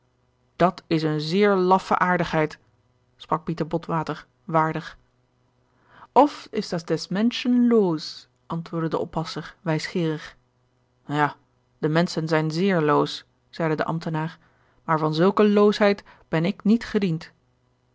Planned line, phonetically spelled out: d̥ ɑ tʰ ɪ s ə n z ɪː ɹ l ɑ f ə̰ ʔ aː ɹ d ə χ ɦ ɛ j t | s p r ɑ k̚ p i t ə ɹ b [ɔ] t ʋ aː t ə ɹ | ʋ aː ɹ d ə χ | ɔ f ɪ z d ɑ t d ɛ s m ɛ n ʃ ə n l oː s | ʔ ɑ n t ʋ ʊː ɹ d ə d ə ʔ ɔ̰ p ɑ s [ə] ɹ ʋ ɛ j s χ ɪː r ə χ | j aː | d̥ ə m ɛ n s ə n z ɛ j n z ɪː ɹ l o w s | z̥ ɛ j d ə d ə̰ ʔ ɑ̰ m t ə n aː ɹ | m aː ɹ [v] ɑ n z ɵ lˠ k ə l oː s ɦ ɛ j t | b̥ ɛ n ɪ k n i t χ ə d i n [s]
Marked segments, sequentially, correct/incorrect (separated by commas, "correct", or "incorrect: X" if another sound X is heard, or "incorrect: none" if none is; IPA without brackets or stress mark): correct, correct, correct, incorrect: t